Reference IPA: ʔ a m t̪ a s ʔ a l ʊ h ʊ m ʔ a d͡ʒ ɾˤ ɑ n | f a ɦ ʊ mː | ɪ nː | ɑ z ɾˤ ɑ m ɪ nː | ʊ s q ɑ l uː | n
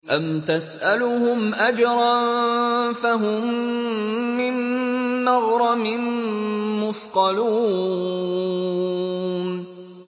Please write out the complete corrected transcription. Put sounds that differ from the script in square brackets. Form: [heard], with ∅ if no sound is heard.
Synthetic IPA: ʔ a m t̪ a s ʔ a l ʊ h ʊ m ʔ a d͡ʒ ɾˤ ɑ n | f a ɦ ʊ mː | ɪ nː | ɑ [ɣ] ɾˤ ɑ m ɪ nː | ʊ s q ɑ l uː | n